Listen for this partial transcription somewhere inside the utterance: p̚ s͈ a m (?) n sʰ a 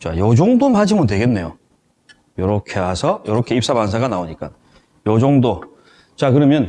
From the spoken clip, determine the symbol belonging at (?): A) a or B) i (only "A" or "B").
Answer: A